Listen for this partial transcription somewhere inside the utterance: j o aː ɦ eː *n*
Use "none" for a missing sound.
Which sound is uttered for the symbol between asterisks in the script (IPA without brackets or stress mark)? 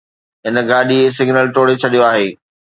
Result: none